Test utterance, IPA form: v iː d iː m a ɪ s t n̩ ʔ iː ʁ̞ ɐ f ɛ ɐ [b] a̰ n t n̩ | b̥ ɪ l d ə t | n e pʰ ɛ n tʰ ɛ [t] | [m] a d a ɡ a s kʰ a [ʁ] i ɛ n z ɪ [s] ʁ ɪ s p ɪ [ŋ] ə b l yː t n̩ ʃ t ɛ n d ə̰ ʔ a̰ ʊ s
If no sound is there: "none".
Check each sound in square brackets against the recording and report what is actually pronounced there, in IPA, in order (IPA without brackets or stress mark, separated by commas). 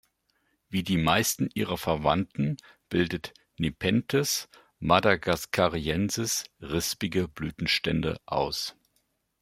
v, s, m, ʁ, s, ɡ